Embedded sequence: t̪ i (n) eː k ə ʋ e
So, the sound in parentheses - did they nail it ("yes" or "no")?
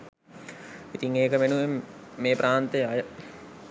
no